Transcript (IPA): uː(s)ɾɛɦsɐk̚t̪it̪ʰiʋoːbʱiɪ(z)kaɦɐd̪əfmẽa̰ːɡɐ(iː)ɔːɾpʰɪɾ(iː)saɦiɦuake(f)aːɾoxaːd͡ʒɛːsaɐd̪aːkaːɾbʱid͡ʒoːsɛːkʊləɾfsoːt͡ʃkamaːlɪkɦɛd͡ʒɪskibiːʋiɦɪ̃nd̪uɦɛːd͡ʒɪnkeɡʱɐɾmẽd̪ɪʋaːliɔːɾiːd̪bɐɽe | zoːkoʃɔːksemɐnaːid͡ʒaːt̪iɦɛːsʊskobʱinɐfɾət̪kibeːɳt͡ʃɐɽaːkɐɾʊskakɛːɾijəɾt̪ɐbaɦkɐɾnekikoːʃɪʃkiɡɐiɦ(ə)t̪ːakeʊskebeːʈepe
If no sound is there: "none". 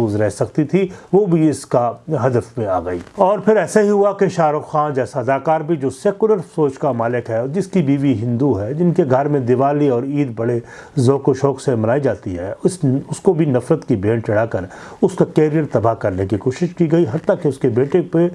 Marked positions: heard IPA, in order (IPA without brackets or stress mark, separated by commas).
z, s, iː, ɛː, ʃ, ɐ